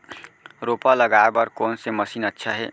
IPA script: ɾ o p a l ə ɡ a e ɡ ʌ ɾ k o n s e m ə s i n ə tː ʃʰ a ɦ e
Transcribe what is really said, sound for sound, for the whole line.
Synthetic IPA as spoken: ɾ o p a l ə ɡ a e b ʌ ɾ k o n s e m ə s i n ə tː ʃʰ a ɦ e